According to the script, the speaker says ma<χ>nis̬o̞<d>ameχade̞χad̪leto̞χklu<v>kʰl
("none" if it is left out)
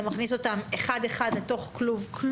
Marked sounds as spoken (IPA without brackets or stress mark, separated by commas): χ, t, v